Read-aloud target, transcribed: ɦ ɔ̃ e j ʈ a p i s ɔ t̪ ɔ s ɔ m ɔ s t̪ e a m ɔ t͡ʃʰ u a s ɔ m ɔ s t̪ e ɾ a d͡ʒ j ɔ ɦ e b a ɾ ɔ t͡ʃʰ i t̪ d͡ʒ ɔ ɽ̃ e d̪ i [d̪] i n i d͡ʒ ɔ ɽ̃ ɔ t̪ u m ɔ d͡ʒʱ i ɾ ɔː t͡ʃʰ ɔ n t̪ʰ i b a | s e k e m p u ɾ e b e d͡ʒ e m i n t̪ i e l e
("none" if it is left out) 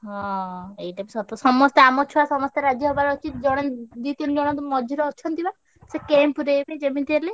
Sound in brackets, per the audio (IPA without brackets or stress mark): t̪